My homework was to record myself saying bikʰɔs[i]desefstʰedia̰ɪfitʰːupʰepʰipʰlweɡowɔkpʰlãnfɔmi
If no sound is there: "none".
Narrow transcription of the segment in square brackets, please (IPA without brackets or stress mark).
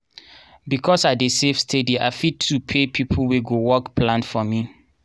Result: a